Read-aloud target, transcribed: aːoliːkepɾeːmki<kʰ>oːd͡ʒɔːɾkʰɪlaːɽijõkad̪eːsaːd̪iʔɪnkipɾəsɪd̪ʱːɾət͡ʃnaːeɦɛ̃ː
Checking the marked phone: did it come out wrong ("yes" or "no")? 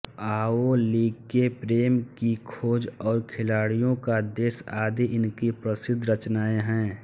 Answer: no